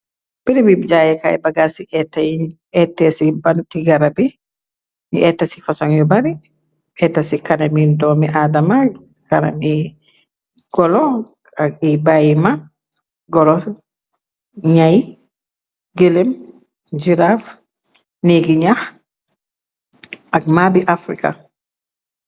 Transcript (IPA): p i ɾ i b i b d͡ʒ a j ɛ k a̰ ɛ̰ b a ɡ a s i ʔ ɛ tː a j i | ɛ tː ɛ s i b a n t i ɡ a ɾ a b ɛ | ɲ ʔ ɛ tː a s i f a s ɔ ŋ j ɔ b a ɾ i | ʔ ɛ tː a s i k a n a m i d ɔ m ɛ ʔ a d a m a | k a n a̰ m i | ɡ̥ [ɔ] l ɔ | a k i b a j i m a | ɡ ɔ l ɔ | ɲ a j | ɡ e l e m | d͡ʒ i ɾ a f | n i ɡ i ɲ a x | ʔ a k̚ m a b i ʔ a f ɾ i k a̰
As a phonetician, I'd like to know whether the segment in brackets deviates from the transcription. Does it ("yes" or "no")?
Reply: no